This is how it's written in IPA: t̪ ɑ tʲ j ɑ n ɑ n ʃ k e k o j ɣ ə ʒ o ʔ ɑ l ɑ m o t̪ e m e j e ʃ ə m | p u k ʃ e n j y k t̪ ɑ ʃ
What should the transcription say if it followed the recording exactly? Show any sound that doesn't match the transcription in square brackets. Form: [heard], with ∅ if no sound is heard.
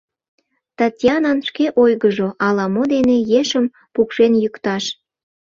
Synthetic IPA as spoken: t̪ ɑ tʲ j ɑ n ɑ n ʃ k e [ʔ] o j ɣ ə ʒ o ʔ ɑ l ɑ m o [d̪] e [n] e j e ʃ ə m | p u k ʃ e n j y k t̪ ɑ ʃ

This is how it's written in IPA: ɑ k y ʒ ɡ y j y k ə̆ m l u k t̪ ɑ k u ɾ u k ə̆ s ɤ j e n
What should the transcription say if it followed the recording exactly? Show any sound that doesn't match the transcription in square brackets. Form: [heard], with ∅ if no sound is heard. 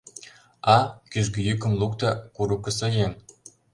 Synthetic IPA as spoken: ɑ k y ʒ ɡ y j y k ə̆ m l u k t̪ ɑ k u ɾ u k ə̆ s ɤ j e n

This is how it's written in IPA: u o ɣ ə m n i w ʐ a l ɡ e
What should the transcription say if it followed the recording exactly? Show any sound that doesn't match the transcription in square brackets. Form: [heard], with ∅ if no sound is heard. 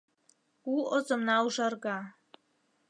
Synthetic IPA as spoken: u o [z] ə m n [a] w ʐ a [r] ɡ [a]

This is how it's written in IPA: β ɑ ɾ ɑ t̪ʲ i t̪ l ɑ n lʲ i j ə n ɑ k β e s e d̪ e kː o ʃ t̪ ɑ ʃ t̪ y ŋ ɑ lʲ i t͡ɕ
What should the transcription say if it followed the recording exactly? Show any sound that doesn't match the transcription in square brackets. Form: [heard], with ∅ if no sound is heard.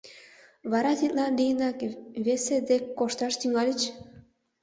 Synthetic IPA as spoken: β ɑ ɾ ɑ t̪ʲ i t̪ l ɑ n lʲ i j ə n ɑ k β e s e d̪ e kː o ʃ t̪ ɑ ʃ t̪ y ŋ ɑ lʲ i t͡ɕ

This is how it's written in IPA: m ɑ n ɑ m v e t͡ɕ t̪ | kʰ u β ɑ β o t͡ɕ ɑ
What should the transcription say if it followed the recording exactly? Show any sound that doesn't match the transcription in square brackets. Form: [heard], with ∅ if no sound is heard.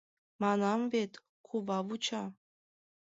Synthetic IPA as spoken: m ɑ n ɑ m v e [∅] t̪ | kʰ u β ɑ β [u] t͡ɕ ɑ

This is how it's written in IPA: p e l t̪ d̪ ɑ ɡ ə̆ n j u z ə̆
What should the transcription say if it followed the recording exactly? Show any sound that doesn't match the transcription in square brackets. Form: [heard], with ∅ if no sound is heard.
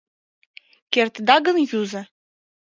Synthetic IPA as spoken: [k] e [r] t̪ d̪ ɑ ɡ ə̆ n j u z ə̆

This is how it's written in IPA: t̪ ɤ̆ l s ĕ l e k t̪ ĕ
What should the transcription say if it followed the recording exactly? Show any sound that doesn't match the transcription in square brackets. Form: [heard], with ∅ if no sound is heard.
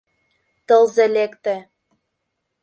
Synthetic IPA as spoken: t̪ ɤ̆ l [z] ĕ l e k t̪ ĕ

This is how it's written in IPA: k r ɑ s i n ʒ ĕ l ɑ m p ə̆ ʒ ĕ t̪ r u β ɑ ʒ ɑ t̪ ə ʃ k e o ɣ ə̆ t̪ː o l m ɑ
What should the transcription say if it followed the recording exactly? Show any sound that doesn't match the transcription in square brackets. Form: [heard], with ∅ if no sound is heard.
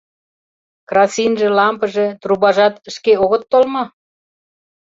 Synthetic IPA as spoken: k r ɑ s i n ʒ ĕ l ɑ m p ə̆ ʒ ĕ t̪ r u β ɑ ʒ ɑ t̪ ə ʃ k e o ɣ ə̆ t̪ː o l m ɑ

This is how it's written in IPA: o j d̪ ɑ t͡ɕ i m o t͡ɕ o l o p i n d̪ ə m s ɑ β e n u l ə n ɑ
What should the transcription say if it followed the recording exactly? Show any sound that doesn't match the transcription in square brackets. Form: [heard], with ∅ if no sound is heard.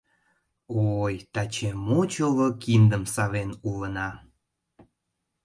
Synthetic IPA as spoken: o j [t̪] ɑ t͡ɕ [e] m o t͡ɕ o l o [k] i n d̪ ə m s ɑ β e n u l ə n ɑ

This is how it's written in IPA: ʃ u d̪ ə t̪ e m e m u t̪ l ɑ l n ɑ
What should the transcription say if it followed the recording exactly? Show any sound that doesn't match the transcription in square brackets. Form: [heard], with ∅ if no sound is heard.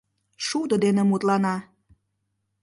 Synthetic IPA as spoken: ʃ u d̪ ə [d̪] e [n] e m u t̪ l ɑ [∅] n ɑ

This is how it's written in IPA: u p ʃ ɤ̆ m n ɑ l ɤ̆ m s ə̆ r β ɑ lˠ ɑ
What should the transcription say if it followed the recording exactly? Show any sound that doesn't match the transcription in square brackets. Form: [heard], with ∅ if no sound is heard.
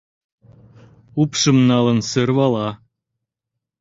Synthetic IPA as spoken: u p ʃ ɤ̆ m n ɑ l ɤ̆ [n] s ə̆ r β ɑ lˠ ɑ

